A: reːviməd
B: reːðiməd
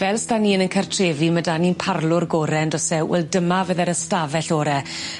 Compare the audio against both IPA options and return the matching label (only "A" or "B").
A